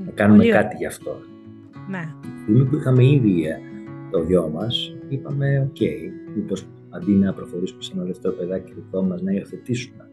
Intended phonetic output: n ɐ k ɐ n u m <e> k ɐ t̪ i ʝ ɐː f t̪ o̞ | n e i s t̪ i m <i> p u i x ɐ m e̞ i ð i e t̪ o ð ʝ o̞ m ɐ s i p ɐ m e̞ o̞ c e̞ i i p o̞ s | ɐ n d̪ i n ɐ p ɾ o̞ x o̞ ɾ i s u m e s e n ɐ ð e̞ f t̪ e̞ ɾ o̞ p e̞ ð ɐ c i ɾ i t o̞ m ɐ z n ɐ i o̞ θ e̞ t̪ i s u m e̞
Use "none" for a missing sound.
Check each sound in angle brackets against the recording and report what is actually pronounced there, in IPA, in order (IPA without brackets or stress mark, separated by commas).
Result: e, i